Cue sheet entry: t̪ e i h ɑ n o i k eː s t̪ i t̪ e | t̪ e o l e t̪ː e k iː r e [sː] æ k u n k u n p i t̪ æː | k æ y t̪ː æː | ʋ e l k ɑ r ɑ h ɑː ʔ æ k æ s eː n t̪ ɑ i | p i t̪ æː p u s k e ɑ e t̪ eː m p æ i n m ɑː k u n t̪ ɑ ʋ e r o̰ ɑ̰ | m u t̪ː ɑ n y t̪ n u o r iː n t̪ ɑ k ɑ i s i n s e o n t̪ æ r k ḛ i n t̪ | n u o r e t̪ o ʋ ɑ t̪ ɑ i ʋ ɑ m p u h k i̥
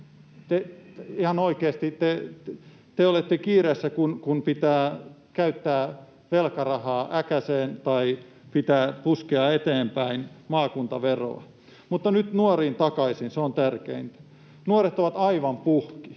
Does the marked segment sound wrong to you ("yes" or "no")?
no